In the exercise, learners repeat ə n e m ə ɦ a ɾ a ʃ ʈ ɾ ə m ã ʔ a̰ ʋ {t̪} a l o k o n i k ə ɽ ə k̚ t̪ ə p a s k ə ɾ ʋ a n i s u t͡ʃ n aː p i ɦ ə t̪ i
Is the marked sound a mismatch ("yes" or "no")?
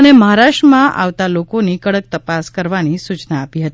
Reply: no